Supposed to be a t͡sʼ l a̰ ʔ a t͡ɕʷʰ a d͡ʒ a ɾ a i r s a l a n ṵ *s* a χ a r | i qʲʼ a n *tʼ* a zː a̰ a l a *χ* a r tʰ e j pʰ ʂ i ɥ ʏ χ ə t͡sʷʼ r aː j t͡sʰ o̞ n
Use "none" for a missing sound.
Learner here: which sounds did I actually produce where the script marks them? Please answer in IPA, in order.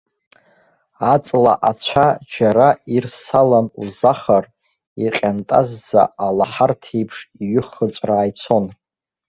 z, tʼ, ħ

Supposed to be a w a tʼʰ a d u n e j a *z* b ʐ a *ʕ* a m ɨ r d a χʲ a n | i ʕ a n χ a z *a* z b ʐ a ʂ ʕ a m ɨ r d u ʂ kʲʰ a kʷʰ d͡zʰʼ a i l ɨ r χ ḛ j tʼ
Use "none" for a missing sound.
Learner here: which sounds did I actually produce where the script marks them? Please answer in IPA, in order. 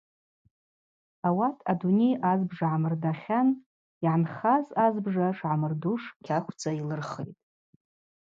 z, ʕ, a

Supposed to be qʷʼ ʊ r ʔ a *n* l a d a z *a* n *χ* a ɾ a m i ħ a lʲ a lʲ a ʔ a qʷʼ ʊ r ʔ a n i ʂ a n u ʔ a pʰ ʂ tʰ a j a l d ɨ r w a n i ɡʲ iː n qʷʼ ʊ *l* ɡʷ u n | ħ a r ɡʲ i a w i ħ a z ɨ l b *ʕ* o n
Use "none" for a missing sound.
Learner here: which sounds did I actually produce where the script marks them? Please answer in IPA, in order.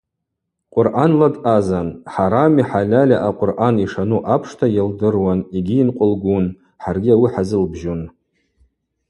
n, a, ħ, l, ʒ

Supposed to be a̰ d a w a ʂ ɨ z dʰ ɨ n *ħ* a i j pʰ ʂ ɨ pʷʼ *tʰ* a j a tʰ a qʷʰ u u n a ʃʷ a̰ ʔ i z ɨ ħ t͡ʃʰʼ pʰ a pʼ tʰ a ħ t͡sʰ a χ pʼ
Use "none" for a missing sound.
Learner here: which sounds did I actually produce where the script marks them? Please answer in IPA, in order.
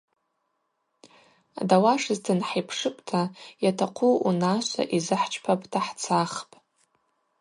ħ, tʰ

